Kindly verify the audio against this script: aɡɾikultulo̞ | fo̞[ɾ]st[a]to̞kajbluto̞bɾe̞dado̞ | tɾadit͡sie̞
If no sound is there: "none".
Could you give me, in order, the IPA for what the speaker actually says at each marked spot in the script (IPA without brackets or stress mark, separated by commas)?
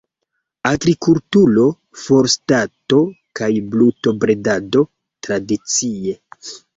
ɾ, a